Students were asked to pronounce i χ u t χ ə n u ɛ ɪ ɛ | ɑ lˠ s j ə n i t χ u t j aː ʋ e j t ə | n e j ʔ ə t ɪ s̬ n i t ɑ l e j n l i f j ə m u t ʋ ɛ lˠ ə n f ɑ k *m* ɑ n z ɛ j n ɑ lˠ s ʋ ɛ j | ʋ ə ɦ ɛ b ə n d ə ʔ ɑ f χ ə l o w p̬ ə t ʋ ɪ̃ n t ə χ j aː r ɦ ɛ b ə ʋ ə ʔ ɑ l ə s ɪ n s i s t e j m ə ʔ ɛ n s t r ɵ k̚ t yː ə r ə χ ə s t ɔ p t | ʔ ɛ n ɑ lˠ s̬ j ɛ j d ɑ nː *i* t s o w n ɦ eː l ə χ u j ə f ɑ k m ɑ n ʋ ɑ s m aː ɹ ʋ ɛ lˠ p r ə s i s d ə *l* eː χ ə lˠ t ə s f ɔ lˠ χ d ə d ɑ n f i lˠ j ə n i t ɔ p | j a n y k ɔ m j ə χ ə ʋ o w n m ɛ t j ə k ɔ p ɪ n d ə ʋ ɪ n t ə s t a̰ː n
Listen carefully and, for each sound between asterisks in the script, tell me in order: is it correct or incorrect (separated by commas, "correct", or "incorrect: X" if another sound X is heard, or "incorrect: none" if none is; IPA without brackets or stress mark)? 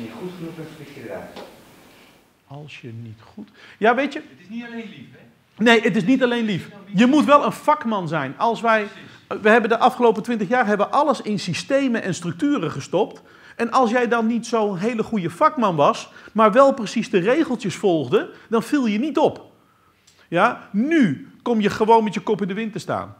correct, correct, incorrect: r